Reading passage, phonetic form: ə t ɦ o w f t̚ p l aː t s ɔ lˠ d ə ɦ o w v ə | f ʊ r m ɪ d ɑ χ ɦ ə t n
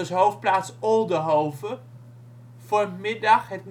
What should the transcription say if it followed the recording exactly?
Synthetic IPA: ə s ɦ o w f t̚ p l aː t s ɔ lˠ d ə ɦ o w v ə | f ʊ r m ɪ d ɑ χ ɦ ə t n